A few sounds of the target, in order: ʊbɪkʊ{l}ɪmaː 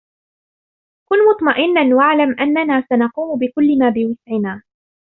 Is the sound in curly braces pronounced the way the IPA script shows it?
no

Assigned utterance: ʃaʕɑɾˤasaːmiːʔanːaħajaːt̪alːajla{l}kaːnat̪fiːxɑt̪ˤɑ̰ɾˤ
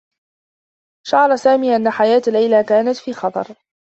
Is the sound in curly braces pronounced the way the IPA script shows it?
no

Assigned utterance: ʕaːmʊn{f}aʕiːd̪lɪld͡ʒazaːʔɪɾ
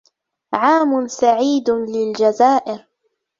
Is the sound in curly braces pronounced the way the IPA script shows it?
no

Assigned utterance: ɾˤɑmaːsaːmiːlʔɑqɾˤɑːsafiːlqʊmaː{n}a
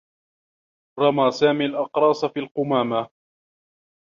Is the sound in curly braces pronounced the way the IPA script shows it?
no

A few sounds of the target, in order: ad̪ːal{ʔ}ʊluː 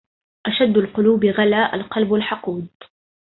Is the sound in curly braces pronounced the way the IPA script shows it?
no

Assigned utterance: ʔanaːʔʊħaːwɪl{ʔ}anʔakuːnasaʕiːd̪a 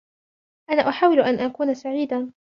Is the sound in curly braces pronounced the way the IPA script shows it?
yes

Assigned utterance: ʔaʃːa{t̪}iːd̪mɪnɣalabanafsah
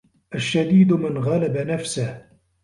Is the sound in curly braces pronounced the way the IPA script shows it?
no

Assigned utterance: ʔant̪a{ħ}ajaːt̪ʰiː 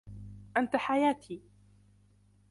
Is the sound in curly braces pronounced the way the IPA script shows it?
yes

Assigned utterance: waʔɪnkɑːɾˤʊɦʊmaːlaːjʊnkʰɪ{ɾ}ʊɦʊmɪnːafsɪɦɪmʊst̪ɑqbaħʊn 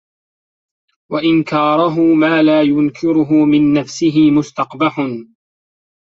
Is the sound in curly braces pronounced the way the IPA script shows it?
yes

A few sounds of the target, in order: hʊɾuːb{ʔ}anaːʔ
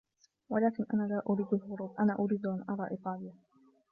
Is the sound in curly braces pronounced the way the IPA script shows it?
yes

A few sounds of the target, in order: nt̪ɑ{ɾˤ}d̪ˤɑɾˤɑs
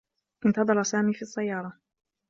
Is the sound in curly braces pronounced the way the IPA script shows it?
no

